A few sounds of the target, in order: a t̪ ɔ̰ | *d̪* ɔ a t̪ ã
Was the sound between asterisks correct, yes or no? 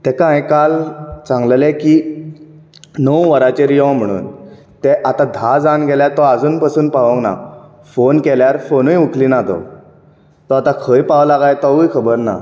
no